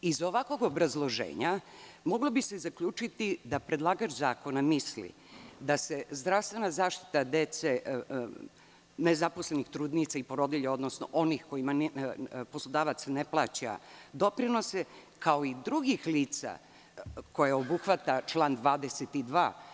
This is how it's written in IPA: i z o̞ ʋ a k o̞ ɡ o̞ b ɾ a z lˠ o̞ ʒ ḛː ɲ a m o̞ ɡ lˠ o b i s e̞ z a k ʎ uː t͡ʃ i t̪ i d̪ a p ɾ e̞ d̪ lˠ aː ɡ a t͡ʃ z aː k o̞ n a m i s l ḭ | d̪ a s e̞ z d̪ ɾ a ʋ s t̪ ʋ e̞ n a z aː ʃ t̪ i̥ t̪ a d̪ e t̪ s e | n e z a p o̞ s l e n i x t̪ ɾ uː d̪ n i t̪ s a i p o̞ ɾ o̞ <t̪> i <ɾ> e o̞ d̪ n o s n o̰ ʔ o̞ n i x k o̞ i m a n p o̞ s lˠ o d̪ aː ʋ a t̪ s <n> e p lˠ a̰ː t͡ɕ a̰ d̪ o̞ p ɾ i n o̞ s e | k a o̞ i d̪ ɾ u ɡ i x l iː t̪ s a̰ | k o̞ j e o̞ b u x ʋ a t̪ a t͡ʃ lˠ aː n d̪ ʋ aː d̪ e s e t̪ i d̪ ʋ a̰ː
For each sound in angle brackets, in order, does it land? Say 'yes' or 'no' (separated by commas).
no, no, yes